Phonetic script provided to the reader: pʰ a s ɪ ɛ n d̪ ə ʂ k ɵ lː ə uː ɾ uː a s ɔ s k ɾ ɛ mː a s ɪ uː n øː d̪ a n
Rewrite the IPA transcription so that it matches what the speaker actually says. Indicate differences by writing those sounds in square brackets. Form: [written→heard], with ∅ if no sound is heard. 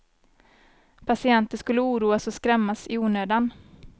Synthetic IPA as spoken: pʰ a s ɪ ɛ n [d̪→t̪] ə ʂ k ɵ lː ə uː ɾ uː a s ɔ s k ɾ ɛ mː a s ɪ uː n øː d̪ a n